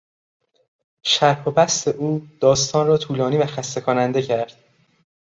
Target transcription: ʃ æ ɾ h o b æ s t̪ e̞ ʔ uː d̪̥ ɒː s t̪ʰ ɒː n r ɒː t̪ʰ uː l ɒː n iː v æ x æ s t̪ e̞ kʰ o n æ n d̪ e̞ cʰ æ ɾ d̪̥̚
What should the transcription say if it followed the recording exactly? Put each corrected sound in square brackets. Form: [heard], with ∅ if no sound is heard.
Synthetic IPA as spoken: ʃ æ ɾ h o b æ s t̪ e̞ ʔ uː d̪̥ ɒː s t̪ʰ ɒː n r ɒː t̪ʰ uː l ɒː n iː v æ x æ s t̪ e̞ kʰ o n æ n d̪ e̞ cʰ æ ɾ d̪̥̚